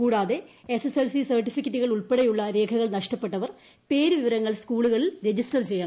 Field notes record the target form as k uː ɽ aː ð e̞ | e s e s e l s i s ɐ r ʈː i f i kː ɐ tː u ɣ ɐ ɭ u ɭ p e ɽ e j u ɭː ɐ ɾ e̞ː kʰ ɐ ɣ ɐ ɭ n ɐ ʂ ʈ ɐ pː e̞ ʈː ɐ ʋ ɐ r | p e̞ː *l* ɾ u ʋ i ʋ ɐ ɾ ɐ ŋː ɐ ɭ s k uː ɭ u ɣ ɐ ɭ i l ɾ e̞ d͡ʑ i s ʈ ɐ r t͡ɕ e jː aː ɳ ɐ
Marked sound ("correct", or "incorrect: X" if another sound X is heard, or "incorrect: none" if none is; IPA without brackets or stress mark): incorrect: none